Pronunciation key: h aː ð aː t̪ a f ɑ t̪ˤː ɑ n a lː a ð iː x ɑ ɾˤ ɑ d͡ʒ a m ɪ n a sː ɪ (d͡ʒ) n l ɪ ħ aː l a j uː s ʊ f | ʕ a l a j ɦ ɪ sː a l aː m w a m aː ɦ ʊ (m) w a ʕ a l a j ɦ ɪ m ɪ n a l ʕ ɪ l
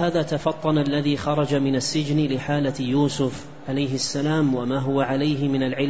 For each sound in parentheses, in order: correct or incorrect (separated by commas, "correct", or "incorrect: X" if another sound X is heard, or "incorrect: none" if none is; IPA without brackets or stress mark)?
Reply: correct, incorrect: none